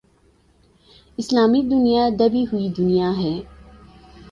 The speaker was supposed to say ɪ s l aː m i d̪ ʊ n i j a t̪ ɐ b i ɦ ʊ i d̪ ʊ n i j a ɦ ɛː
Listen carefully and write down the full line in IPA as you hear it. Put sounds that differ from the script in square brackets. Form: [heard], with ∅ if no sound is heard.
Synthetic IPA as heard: ɪ s l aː m i d̪ ʊ n i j a [d̪] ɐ b i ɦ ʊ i d̪ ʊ n i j a ɦ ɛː